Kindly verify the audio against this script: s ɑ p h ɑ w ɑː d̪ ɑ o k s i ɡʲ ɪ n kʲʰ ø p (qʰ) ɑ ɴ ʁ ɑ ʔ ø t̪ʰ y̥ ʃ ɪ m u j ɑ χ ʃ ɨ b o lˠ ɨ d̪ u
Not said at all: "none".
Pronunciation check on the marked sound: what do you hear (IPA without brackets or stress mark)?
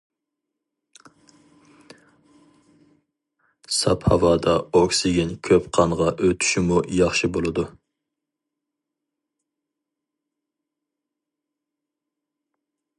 qʰ